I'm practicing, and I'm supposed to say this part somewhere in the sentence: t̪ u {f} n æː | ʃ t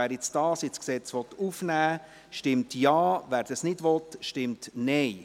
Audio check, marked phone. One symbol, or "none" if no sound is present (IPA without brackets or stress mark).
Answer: f